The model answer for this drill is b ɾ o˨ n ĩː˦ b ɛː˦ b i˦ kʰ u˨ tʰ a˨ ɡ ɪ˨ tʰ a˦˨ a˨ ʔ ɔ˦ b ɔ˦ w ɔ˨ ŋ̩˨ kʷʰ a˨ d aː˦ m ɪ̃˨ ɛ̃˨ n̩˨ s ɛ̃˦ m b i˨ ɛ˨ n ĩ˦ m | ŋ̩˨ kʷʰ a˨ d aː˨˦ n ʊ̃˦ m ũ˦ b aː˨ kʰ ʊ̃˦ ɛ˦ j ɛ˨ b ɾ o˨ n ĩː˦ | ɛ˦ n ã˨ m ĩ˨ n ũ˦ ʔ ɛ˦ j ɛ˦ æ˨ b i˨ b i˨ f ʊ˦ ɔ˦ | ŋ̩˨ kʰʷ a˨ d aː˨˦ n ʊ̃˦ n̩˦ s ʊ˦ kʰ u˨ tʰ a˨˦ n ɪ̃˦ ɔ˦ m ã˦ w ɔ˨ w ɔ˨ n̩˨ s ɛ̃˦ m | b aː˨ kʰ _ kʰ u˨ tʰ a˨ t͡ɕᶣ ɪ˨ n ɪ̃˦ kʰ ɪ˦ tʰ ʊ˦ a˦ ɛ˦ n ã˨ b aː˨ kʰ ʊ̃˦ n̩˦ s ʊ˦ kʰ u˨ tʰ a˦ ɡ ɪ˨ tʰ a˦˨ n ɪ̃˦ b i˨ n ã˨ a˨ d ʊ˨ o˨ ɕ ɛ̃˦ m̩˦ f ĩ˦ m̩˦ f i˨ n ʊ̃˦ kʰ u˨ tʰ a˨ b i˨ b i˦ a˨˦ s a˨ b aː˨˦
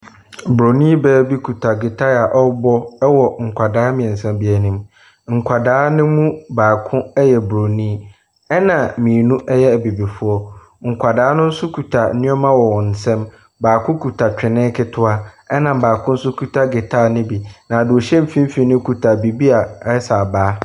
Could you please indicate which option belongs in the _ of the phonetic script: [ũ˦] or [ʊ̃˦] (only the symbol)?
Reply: ʊ̃˦